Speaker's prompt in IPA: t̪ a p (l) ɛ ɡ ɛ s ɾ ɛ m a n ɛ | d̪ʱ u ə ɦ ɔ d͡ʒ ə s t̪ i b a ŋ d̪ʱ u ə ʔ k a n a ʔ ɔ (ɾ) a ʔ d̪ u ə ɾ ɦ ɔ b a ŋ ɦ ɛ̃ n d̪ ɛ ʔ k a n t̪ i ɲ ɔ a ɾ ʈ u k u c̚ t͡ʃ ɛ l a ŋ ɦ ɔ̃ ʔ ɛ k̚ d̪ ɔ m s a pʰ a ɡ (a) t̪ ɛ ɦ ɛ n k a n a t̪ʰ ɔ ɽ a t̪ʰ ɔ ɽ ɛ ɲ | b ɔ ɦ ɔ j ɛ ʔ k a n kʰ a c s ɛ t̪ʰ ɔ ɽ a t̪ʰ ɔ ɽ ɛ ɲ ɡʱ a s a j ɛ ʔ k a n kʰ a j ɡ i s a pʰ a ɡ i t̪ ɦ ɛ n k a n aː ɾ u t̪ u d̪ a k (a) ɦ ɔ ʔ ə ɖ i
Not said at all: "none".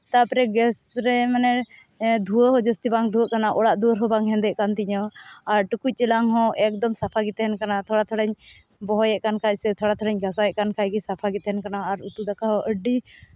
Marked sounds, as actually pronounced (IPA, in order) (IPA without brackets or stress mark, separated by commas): ɾ, ɽ, i, a